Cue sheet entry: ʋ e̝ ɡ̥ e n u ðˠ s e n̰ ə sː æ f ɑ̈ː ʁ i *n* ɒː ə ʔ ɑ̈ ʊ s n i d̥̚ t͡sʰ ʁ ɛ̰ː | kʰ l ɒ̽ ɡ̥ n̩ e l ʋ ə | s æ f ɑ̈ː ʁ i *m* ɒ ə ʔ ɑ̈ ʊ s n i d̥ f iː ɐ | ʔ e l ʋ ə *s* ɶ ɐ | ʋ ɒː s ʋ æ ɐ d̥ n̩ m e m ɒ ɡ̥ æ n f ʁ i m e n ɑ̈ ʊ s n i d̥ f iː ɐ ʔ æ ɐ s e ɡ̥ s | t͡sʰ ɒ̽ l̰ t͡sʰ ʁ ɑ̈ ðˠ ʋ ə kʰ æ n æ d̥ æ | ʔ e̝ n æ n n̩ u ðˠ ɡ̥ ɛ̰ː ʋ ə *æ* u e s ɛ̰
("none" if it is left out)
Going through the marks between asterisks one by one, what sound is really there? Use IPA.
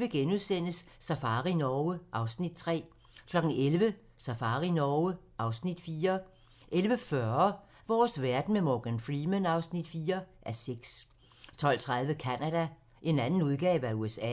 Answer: n, n, f, æ

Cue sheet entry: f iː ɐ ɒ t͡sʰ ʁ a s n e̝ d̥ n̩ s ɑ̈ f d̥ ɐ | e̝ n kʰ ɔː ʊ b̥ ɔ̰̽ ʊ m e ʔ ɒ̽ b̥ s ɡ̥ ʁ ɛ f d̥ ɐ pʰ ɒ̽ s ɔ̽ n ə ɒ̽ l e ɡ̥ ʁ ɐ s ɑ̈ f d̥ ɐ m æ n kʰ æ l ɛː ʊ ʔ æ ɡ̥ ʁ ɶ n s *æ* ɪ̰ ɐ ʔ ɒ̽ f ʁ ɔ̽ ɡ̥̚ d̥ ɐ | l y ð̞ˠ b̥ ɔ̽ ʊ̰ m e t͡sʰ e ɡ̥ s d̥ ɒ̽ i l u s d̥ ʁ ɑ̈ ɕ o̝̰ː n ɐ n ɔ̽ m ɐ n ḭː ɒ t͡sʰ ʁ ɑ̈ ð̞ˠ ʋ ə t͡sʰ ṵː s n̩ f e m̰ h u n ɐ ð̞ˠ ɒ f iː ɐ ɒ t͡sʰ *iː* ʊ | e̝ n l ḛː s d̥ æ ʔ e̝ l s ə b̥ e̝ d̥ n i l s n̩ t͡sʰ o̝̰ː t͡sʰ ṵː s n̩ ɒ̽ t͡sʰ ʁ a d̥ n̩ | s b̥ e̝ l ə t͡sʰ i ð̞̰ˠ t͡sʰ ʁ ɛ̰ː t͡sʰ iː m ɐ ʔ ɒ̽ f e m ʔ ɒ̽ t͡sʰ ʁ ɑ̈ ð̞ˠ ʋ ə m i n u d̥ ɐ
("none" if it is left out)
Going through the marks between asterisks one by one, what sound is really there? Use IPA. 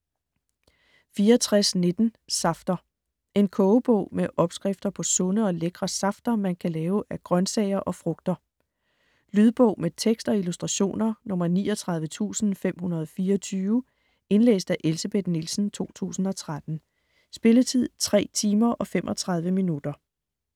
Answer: ɛ, yː

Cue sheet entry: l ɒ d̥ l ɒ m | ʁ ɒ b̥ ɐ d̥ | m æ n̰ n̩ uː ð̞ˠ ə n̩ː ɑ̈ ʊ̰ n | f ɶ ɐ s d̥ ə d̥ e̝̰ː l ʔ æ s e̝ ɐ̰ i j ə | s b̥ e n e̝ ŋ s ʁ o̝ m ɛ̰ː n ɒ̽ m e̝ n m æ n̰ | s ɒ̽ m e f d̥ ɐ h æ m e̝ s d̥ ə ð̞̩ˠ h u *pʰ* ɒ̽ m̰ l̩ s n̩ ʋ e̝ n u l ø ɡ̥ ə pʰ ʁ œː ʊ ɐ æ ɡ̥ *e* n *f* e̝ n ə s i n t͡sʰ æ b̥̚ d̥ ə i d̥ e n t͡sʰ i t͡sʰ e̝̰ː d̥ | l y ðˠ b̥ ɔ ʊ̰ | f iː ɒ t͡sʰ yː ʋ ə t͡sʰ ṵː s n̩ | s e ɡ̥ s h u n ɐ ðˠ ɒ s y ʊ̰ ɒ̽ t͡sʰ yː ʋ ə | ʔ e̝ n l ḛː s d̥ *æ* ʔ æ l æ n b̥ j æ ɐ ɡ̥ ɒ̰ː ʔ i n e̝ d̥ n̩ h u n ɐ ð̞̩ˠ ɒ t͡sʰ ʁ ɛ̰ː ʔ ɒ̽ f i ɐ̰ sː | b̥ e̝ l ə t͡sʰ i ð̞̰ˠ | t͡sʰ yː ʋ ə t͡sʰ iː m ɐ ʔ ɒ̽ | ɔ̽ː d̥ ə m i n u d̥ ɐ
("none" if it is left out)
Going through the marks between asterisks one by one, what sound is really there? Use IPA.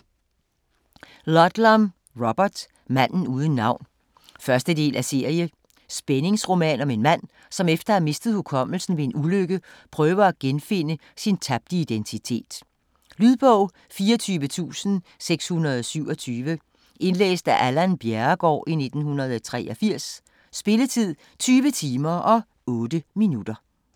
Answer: kʰ, e, f, æ

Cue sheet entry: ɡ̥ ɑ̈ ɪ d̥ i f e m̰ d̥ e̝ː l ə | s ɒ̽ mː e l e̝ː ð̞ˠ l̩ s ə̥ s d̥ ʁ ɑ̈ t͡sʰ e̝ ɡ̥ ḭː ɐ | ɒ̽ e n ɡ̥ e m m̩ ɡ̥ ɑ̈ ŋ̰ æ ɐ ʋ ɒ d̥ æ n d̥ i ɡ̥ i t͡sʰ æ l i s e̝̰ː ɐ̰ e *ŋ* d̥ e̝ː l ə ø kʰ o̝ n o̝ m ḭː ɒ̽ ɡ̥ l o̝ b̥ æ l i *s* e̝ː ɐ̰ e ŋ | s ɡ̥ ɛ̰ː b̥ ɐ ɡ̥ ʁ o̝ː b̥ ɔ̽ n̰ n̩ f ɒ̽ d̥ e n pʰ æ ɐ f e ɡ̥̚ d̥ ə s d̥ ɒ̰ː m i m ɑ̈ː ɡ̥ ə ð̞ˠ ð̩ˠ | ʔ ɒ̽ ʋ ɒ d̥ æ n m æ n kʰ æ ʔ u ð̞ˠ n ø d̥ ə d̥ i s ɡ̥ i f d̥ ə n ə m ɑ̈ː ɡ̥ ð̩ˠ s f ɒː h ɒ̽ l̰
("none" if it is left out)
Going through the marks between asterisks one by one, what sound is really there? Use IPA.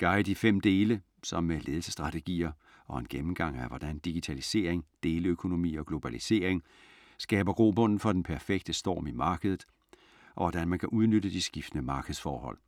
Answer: ŋ, s

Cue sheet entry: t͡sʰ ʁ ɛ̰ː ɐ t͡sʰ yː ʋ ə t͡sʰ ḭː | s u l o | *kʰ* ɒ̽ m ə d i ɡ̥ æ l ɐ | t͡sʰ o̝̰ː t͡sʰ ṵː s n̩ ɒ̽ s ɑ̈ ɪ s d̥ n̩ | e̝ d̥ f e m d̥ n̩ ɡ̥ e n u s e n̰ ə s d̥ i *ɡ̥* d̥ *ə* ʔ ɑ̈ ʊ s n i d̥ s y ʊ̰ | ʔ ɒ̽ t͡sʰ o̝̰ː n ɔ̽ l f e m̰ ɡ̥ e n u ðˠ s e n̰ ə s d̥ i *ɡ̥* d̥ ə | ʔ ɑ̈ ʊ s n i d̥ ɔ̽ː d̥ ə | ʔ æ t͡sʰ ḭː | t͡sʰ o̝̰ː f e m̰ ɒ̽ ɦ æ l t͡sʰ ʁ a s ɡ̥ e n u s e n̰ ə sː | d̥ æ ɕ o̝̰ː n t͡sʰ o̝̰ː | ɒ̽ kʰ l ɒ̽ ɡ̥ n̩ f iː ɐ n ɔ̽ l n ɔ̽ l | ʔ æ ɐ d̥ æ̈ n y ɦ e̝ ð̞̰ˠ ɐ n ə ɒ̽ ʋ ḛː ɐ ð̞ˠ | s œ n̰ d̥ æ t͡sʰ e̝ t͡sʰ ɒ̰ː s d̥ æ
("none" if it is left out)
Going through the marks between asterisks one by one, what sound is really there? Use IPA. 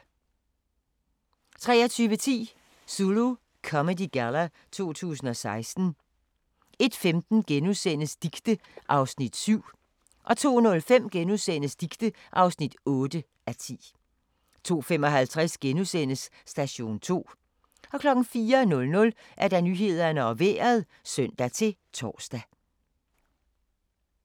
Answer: kʰ, ɡ̥, ə, ɡ̥

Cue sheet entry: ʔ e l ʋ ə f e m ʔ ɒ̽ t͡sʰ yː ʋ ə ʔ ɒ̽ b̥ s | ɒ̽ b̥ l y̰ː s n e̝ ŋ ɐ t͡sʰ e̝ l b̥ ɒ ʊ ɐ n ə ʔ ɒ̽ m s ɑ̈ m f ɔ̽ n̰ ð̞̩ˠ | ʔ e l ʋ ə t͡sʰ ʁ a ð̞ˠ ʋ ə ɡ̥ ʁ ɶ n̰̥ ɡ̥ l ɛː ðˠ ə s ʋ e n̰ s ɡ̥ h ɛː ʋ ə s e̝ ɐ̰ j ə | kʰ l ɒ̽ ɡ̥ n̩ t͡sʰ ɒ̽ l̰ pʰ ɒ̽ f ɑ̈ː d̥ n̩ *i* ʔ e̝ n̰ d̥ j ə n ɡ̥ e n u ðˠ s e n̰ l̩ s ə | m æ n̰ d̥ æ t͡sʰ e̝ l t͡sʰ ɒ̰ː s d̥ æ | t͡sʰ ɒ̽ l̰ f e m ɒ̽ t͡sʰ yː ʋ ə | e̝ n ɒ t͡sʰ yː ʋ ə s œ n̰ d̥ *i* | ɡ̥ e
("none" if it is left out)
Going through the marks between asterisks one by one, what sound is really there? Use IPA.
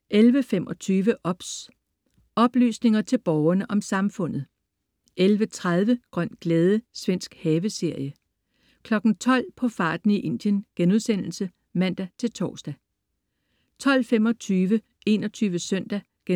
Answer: i, æ

